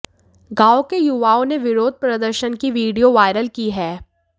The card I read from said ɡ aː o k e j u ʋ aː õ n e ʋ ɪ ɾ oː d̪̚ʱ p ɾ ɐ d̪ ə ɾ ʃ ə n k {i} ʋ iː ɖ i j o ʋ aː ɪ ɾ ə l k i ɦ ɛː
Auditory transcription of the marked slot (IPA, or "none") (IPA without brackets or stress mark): i